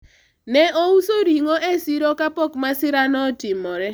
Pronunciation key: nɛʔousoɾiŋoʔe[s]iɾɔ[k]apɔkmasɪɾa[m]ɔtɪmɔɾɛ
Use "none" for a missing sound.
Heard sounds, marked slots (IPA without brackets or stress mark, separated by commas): s, k, n